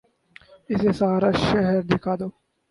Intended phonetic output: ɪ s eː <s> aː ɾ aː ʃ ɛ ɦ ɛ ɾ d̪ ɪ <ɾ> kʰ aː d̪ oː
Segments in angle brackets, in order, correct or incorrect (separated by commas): correct, incorrect